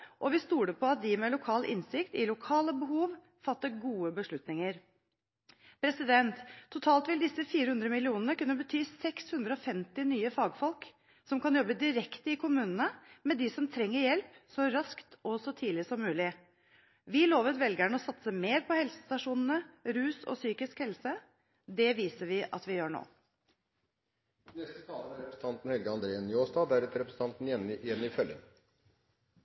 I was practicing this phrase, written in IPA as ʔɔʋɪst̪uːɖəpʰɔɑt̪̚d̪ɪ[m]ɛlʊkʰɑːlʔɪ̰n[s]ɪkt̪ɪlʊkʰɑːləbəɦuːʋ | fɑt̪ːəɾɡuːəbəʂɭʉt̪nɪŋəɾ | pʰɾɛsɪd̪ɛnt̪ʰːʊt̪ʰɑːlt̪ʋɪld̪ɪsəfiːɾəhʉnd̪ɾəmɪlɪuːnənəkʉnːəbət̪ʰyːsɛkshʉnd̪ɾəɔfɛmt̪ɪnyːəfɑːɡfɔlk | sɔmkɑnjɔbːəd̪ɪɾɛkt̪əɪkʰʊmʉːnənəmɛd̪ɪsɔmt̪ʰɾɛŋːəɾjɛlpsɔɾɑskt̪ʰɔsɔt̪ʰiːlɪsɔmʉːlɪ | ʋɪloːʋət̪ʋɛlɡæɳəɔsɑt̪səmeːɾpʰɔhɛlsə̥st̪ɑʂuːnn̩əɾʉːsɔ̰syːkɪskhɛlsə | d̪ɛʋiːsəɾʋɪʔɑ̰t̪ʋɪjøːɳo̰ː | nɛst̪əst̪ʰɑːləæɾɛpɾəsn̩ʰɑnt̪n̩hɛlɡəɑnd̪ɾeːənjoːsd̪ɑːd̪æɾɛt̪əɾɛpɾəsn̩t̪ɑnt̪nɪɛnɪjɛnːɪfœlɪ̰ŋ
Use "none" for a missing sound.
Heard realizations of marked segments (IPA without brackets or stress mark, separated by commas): m, s